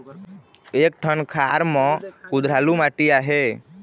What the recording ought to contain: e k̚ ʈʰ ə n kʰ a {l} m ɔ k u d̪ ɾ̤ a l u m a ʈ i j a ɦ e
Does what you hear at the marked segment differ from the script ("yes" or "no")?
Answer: yes